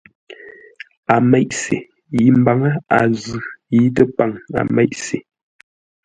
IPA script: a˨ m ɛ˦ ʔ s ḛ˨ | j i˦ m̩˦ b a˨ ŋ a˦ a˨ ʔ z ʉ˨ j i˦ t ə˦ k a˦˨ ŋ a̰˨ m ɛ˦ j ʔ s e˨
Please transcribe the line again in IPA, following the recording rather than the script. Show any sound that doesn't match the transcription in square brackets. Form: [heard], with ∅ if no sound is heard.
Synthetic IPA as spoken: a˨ m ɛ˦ ʔ s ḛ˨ | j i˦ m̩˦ b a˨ ŋ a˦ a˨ [∅] z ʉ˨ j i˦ t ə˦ [p] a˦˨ ŋ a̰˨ m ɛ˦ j ʔ s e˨